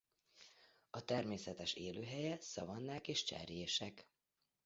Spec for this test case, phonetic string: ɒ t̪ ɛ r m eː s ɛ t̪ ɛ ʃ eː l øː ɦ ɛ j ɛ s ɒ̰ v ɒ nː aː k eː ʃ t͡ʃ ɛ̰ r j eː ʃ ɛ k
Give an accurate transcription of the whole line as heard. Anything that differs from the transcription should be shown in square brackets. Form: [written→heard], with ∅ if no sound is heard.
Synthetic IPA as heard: ɒ t̪ ɛ r m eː s ɛ t̪ ɛ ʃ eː l øː ɦ ɛ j ɛ s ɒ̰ v ɒ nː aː k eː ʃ t͡ʃ ɛ̰ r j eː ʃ ɛ k